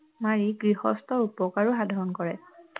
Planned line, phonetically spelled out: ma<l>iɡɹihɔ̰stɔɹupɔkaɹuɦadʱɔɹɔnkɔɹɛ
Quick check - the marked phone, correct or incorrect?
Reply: incorrect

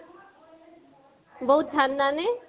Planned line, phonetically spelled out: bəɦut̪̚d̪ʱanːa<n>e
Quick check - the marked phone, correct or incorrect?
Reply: correct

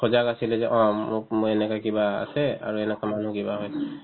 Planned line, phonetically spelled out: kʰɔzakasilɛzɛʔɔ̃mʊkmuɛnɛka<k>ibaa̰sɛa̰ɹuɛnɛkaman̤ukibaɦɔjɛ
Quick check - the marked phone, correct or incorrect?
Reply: correct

